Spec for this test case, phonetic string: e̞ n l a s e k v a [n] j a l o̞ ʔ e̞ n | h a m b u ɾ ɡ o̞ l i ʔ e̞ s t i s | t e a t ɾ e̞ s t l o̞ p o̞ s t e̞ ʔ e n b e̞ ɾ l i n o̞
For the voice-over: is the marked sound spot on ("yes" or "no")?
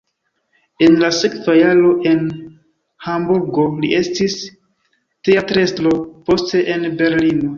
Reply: no